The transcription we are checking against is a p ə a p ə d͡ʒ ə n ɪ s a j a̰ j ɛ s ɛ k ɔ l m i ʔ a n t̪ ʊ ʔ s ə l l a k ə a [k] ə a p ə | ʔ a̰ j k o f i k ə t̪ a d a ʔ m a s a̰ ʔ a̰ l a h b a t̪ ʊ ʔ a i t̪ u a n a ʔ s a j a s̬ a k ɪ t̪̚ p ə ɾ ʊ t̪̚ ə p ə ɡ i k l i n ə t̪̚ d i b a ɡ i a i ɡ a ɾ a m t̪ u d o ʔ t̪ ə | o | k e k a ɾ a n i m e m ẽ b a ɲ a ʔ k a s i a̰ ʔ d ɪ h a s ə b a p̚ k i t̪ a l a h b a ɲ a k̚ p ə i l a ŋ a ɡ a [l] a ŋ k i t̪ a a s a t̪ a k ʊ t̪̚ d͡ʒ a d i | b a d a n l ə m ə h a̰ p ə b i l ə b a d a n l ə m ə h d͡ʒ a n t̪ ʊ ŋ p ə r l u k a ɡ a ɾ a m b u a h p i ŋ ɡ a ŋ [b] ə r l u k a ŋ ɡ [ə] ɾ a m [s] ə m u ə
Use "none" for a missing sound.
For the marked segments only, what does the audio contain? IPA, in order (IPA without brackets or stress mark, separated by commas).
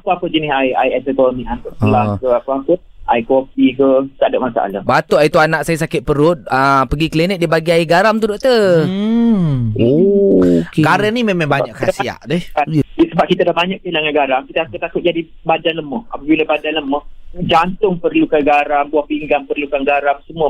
p, ɾ, p, a, s